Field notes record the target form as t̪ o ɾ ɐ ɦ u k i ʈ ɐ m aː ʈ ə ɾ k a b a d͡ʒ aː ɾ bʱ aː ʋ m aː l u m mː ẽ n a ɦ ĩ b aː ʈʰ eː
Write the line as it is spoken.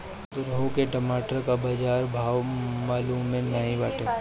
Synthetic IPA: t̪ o ɾ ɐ ɦ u k e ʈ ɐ m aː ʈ ə ɾ k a b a d͡ʒ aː ɾ bʱ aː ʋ m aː l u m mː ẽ n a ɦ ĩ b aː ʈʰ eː

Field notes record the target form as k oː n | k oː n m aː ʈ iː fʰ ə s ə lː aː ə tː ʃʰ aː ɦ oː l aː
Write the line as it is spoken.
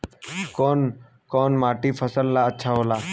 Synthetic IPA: k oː n | k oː n m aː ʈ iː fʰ ə s ə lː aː ə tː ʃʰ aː ɦ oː l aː

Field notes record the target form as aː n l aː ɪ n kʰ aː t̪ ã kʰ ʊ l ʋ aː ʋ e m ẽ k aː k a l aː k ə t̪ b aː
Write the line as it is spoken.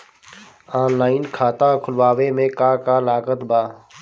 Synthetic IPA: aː n l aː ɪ n kʰ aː t̪ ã kʰ ʊ l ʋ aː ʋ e m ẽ k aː k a l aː k ə t̪ b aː

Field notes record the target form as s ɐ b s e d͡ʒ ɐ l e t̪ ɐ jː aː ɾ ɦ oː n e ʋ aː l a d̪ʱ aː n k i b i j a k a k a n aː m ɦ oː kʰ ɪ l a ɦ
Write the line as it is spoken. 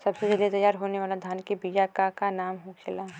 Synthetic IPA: s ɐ b s e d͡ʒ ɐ l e t̪ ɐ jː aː ɾ ɦ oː n e ʋ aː l a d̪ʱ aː n k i b i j a k a k a n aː m ɦ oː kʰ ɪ l a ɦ

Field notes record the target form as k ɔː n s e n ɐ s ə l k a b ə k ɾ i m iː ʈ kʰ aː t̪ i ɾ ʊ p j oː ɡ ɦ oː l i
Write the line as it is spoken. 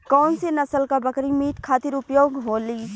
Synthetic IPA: k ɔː n s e n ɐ s ə l k a b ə k ɾ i m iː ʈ kʰ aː t̪ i ɾ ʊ p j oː ɡ ɦ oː l i

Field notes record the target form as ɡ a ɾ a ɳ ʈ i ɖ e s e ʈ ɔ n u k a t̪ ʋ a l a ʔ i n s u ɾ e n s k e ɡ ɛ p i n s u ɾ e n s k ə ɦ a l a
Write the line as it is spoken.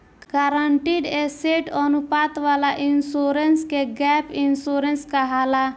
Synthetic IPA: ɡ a ɾ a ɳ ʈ i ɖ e s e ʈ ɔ n u p a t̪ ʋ a l a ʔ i n s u ɾ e n s k e ɡ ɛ p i n s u ɾ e n s k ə ɦ a l a

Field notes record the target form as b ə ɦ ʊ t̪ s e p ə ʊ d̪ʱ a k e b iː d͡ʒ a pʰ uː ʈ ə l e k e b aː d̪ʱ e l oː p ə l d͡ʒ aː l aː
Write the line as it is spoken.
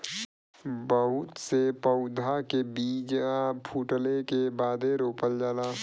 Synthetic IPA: b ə ɦ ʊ t̪ s e p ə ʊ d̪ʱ a k e b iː d͡ʒ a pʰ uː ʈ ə l e k e b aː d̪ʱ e ɾ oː p ə l d͡ʒ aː l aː

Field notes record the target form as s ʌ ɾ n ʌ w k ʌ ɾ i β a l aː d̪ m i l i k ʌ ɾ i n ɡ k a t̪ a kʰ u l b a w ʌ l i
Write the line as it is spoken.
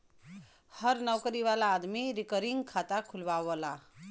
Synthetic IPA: h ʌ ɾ n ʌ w k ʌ ɾ i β a l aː d̪ m i ɾ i k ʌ ɾ i ŋ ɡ kʰ a t̪ a kʰ u l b a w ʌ l a

